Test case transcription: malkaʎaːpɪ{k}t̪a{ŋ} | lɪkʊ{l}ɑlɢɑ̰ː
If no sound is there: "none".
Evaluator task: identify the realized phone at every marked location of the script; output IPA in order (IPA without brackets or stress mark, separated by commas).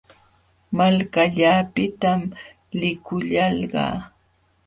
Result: none, m, ʎ